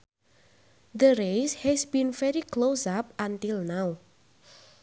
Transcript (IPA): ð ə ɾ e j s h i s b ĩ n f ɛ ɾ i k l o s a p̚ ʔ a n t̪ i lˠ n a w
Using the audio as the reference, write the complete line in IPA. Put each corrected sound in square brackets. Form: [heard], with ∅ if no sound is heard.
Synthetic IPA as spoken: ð ə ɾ e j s h [ɛ] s b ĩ n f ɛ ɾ i k l o s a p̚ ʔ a n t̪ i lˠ n a w